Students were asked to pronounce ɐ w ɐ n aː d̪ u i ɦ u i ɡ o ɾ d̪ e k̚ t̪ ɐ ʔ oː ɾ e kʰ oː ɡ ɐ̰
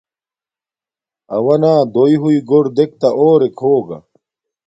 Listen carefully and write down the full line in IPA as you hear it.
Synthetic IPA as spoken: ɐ w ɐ n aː d̪ o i ɦ u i ɡ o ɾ d̪ e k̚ t̪ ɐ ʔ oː ɾ e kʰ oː ɡ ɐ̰